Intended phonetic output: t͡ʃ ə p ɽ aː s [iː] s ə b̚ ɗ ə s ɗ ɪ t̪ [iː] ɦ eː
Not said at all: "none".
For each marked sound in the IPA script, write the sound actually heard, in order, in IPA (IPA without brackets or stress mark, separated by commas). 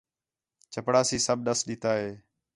iː, aː